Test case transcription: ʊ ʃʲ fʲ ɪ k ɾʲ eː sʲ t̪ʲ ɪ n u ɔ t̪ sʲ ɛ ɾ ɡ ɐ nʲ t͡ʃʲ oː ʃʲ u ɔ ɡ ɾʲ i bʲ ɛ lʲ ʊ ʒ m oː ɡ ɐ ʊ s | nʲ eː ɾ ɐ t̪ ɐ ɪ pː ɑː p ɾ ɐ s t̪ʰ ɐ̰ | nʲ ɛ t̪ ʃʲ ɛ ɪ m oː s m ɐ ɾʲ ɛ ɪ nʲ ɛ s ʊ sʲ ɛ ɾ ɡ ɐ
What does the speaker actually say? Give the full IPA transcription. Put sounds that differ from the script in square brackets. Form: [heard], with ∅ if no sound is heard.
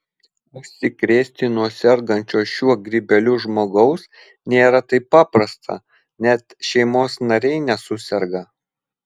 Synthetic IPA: ʊ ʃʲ [sʲ] ɪ k ɾʲ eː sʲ t̪ʲ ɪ n u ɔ [∅] sʲ ɛ ɾ ɡ ɐ nʲ t͡ʃʲ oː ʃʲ u ɔ ɡ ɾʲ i bʲ ɛ lʲ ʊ ʒ m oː ɡ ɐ ʊ s | nʲ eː ɾ ɐ t̪ ɐ ɪ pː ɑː p ɾ ɐ s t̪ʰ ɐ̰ | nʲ ɛ t̪ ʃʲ ɛ ɪ m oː s [n] ɐ ɾʲ ɛ ɪ nʲ ɛ s ʊ sʲ ɛ ɾ ɡ ɐ